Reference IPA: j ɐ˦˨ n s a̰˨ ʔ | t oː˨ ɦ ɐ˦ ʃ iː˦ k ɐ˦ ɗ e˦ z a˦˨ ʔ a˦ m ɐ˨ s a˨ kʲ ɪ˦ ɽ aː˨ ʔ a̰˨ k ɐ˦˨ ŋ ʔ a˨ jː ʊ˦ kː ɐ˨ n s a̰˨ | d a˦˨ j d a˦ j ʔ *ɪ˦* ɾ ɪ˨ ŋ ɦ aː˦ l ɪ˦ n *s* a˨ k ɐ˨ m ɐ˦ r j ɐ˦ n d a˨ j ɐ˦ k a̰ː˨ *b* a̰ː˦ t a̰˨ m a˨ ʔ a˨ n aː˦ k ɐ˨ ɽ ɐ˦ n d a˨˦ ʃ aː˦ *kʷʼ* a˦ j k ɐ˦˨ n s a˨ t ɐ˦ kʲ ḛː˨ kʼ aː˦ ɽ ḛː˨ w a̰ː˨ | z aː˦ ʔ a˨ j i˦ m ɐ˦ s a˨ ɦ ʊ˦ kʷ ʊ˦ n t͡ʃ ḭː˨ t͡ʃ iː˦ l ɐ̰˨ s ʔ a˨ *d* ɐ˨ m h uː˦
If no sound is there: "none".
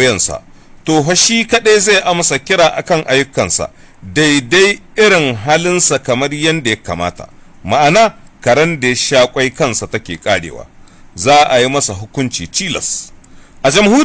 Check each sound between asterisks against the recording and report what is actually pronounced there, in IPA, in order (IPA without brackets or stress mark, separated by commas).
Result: ɪ˦, s, m, kʷʼ, d͡ʒ